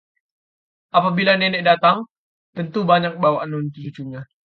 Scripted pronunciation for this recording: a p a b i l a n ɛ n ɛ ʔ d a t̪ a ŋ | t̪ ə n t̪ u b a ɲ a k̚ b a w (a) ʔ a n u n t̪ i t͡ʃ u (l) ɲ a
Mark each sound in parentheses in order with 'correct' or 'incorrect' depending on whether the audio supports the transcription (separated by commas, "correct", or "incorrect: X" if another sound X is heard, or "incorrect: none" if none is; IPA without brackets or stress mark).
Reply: correct, incorrect: none